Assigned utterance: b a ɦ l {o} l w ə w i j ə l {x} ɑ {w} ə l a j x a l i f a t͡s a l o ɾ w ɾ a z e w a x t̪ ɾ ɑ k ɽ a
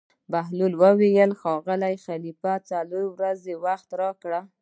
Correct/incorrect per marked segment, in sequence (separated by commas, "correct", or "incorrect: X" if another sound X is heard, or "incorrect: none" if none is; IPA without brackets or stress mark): incorrect: u, correct, incorrect: ɣ